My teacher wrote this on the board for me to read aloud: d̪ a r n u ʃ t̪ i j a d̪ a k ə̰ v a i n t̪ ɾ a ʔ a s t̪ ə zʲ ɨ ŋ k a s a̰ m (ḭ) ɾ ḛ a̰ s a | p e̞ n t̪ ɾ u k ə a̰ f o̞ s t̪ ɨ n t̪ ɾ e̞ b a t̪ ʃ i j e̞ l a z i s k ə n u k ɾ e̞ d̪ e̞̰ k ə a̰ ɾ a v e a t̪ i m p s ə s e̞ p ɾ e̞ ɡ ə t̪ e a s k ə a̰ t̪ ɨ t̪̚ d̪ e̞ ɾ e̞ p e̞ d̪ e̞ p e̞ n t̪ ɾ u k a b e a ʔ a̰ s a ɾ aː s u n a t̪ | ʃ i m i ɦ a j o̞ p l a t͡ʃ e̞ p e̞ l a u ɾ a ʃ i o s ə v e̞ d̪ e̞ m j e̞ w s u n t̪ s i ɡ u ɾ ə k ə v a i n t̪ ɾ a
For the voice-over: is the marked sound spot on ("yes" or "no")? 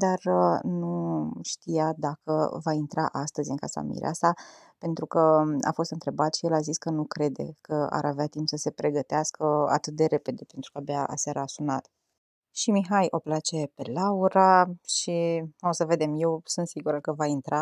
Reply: yes